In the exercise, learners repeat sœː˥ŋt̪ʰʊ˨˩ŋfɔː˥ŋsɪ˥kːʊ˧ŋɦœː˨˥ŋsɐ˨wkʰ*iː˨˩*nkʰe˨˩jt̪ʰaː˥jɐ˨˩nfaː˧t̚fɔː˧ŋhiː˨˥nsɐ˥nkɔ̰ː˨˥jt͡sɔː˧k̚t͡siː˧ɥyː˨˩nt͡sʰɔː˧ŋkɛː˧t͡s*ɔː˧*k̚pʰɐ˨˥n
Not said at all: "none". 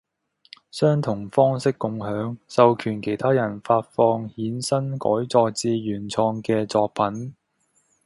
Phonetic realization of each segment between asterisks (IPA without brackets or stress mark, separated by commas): yː˨˩, ɔː˧